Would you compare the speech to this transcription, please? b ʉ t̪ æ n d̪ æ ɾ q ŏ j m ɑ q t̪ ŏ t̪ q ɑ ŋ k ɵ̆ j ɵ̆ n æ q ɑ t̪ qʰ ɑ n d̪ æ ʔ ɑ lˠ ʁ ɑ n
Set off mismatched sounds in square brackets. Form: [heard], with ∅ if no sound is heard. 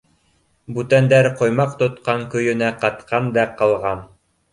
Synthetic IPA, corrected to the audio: b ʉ t̪ æ n d̪ æ ɾ q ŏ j m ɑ q t̪ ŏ t̪ q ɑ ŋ k ɵ̆ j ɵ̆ n æ q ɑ t̪ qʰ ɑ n d̪ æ [q] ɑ lˠ ʁ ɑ n